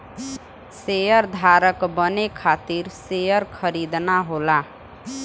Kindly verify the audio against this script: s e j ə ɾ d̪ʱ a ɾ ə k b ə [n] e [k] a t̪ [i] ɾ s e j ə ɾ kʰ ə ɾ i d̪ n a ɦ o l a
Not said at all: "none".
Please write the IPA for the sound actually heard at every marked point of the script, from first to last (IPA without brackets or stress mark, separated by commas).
n, kʰ, i